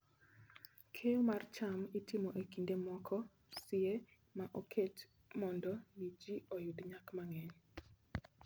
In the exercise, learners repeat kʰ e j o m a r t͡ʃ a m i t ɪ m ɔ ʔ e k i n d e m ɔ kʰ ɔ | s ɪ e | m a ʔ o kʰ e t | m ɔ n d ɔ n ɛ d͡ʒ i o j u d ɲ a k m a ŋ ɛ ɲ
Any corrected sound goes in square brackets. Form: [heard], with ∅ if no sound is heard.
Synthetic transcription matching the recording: kʰ e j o m a r t͡ʃ a m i t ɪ m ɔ ʔ e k i n d e m ɔ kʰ ɔ | s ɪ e | m a ʔ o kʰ e t | m ɔ n d ɔ n [i] d͡ʒ i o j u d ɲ a k m a ŋ ɛ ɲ